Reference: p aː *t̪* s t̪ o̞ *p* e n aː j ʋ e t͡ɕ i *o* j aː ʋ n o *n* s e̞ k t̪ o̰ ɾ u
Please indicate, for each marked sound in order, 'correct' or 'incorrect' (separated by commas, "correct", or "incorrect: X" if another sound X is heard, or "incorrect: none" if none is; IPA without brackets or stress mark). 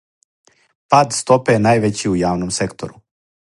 incorrect: d̪, correct, incorrect: u, incorrect: m